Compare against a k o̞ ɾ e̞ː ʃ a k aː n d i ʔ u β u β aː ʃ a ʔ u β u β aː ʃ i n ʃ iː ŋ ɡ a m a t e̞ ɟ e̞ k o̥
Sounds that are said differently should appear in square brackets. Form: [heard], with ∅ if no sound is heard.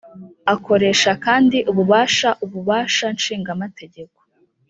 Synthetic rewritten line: a k o̞ ɾ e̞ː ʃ a k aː n d i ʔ u β u β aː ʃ a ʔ u β u β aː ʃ [a] n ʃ iː ŋ ɡ a m a t e̞ ɟ e̞ k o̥